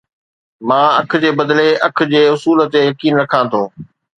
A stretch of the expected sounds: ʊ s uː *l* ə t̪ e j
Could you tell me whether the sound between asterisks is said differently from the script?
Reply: no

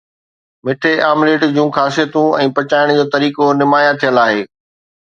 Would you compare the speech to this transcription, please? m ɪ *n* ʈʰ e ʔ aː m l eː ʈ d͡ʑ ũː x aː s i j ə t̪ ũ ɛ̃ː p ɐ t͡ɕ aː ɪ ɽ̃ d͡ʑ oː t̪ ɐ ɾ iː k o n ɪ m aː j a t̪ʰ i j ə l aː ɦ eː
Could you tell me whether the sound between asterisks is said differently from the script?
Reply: yes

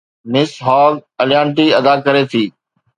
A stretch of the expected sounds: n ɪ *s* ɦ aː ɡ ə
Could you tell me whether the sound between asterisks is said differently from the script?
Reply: no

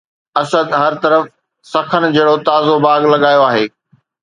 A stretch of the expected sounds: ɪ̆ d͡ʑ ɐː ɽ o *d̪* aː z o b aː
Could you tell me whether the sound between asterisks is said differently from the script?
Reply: yes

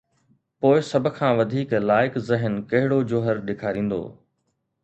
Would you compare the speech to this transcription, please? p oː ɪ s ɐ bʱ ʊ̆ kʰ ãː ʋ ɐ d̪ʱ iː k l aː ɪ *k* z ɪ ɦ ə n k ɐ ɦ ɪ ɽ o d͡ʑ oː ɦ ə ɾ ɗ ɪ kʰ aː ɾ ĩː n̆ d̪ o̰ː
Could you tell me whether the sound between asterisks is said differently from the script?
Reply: no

